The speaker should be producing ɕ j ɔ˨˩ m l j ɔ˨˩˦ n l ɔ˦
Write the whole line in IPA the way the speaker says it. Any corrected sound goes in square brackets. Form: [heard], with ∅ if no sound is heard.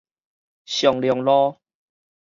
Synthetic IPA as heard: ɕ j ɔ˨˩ [ŋ] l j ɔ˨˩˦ [ŋ] l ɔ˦

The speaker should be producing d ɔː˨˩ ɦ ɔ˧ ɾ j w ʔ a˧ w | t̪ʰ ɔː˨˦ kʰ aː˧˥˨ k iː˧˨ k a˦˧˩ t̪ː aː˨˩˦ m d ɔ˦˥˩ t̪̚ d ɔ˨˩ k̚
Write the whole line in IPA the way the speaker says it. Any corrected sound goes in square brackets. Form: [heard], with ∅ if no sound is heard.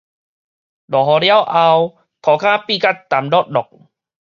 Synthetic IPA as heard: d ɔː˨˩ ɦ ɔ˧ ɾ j w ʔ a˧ w | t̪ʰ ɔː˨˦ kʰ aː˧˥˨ [p] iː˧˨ k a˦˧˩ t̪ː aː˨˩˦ m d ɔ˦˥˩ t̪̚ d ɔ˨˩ k̚

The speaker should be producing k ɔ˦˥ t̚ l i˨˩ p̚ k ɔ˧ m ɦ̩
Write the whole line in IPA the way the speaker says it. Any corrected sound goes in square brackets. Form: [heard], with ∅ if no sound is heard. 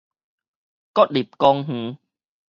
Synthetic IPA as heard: k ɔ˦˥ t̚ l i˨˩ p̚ k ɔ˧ [ŋ] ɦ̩

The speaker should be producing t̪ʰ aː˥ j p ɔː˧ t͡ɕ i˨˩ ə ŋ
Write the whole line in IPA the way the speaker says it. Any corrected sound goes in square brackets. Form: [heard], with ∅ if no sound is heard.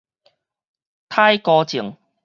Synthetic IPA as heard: t̪ʰ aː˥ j [k] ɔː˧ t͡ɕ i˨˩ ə ŋ

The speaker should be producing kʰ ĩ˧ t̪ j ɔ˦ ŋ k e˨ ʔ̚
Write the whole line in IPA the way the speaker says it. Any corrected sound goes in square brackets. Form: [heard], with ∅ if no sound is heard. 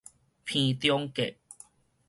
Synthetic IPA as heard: [pʰ] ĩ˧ t̪ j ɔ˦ ŋ k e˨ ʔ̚

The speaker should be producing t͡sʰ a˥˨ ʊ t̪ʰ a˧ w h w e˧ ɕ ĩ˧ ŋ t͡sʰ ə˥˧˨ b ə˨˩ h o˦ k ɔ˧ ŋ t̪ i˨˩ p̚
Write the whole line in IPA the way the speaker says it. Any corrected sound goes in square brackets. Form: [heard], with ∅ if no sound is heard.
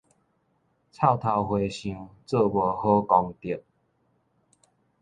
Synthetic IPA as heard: t͡sʰ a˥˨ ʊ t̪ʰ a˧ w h w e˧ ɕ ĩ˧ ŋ [t͡s] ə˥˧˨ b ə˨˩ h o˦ k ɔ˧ ŋ t̪ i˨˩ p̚

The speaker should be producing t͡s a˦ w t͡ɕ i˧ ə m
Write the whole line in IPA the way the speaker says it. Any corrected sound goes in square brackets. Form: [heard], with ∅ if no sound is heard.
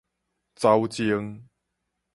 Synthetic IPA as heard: t͡s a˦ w t͡ɕ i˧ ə [ŋ]

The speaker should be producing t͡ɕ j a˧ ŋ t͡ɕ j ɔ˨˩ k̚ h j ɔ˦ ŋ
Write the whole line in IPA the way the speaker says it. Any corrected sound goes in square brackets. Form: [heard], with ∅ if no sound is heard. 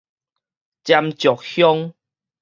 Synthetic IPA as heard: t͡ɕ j a˧ [m] t͡ɕ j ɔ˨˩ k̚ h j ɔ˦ ŋ

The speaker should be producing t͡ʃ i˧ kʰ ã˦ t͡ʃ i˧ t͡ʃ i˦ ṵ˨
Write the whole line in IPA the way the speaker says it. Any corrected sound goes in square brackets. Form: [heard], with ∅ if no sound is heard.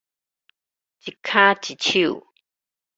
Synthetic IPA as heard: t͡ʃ i˧ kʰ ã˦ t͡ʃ i˧ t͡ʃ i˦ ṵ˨

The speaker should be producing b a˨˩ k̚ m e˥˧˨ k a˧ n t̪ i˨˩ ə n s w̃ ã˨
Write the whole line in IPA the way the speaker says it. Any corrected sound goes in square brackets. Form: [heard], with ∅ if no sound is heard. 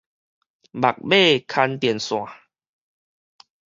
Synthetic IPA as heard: b a˨˩ k̚ [b] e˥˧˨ [kʰ] a˧ n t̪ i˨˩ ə n s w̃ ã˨

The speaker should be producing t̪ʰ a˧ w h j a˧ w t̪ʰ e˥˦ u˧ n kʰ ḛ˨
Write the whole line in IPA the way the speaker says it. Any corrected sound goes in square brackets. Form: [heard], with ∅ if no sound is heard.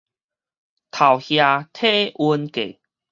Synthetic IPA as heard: t̪ʰ [a˨˩] w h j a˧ [∅] t̪ʰ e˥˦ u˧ n [k] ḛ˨

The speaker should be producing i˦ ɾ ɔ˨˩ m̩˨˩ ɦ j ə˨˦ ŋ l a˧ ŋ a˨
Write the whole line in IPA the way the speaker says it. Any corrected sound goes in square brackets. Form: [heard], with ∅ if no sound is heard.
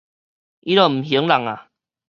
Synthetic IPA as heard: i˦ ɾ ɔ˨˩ m̩˨˩ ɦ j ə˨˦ ŋ l [a˨˩] ŋ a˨

